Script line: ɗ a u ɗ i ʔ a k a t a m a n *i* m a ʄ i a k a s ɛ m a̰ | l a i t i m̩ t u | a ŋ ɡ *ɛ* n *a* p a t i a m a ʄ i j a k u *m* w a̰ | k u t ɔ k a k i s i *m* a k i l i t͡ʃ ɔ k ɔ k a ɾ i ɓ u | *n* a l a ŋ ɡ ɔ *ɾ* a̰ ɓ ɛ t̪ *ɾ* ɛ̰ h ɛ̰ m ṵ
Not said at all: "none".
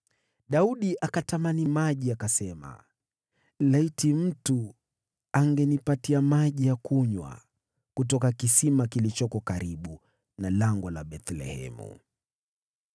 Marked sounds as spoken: i, ɛ, i, ɲ, m, n, l, l

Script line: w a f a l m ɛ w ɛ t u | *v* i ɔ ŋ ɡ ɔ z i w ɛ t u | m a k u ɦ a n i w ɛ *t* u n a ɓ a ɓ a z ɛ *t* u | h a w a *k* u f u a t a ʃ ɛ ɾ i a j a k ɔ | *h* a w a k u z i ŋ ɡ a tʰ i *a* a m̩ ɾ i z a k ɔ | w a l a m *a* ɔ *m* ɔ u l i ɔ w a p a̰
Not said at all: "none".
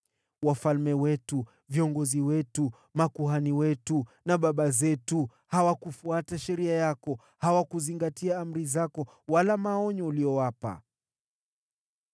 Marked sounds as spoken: v, t, t, k, h, a, a, ɲ

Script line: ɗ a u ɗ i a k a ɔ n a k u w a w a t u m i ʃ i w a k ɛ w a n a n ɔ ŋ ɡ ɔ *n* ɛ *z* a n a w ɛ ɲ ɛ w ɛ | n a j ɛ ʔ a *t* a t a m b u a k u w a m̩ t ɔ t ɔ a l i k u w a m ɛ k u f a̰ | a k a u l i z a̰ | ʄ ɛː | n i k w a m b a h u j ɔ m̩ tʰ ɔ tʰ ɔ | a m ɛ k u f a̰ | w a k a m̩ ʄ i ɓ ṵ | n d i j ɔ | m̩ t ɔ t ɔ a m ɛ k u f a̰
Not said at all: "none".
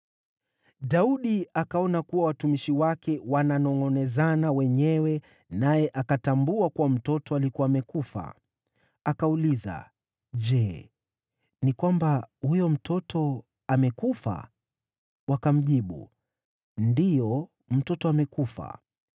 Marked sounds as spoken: n, z, k

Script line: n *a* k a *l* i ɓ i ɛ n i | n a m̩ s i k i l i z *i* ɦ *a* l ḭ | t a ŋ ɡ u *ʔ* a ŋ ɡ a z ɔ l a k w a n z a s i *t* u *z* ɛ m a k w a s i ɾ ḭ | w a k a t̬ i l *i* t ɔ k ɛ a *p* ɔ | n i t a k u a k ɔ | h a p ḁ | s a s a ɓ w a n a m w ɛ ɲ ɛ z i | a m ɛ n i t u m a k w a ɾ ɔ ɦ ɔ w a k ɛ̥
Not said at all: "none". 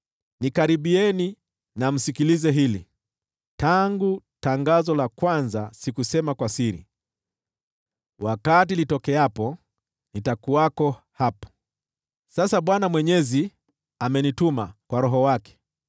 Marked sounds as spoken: i, ɾ, ɛ, i, t, k, s, i, p

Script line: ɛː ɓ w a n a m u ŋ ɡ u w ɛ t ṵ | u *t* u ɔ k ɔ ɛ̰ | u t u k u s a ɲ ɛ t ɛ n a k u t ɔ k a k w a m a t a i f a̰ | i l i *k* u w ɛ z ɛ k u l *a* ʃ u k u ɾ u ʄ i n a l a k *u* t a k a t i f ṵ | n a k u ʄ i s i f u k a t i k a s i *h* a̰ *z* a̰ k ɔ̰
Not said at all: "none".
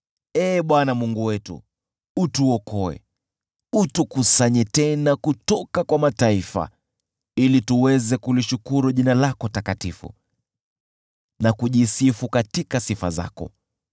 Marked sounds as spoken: t, t, i, ɔ, f, z

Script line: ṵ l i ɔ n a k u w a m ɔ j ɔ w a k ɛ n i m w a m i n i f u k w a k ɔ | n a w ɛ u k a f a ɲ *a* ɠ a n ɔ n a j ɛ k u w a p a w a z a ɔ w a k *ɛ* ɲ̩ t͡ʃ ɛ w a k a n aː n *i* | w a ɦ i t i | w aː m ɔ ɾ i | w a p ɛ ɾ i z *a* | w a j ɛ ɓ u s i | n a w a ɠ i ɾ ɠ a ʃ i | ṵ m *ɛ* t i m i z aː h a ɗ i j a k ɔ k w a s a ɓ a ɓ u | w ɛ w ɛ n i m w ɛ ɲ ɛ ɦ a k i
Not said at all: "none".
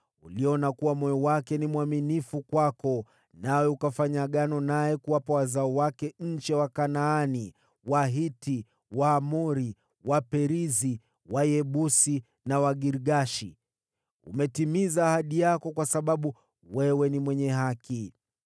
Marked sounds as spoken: a, ɛ, i, i, ɛ

